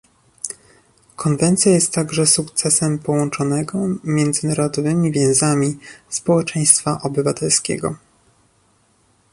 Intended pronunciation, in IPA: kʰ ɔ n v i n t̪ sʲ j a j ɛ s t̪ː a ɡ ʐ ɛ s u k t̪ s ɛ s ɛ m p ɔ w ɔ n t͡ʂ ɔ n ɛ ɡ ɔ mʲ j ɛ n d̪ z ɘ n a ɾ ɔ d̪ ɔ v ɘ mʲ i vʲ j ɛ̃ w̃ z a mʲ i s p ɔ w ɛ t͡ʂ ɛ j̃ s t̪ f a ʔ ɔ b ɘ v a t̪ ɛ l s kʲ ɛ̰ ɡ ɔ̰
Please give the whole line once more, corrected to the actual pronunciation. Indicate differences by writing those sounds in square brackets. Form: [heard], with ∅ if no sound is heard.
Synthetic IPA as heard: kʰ ɔ n v [ɛ] n t̪ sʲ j a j ɛ s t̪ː a ɡ ʐ ɛ s u k t̪ s ɛ s ɛ m p ɔ w ɔ n t͡ʂ ɔ n ɛ ɡ ɔ mʲ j ɛ n d̪ z ɘ n a ɾ ɔ d̪ ɔ v ɘ mʲ i vʲ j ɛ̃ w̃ z a mʲ i s p ɔ w ɛ t͡ʂ ɛ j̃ s t̪ f a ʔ ɔ b ɘ v a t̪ ɛ l s kʲ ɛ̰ ɡ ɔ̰